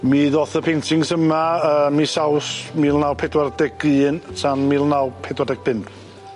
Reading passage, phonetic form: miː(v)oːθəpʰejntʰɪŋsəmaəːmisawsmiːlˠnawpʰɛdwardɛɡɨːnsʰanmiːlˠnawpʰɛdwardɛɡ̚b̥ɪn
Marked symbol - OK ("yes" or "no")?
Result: no